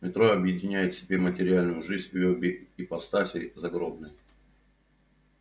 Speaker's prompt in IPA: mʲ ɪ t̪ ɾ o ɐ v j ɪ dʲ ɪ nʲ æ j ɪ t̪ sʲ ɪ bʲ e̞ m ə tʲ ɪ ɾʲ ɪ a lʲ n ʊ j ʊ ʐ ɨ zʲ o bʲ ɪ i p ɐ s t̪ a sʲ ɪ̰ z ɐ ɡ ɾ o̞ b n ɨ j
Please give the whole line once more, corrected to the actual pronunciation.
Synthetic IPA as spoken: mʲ ɪ t̪ ɾ o ɐ b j ɪ dʲ ɪ nʲ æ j ɪ t̪ sʲ ɪ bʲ e̞ m ə tʲ ɪ ɾʲ ɪ a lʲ n ʊ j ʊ ʐ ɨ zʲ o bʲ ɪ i p ɐ s t̪ a sʲ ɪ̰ z ɐ ɡ ɾ o̞ b n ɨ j